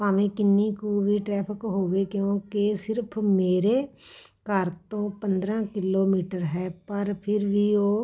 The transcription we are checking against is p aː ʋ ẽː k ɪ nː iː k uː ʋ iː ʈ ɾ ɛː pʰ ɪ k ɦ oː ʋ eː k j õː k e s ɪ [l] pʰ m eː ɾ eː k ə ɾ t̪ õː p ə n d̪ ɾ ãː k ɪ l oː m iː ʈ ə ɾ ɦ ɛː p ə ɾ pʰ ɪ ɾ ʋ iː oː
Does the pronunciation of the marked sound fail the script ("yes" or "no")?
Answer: yes